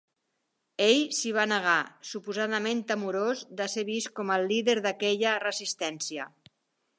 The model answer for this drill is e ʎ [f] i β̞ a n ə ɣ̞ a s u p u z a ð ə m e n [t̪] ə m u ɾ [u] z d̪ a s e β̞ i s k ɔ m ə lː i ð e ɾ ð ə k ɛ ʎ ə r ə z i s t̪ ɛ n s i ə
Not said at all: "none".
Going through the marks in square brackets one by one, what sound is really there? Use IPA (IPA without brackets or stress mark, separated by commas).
s, t̪, o